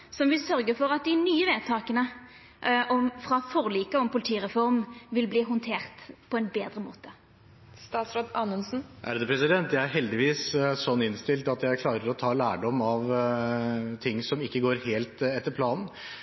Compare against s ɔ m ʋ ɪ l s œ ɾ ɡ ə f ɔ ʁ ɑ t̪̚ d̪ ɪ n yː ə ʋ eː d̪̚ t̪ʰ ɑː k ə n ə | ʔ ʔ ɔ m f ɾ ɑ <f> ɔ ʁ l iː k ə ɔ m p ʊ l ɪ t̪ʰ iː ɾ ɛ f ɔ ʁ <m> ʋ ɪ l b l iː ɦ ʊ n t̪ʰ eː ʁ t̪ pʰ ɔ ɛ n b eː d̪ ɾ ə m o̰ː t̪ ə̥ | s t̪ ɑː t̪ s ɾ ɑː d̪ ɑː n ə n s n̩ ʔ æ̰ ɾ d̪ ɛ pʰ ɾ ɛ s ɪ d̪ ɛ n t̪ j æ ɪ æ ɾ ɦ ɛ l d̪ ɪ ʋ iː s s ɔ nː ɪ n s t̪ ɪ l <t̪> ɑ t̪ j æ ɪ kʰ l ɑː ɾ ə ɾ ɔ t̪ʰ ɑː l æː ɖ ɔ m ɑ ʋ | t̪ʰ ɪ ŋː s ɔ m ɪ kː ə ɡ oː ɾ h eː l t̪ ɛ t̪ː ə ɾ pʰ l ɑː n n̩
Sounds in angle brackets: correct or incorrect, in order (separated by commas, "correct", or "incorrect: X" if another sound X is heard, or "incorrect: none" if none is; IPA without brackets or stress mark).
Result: correct, correct, correct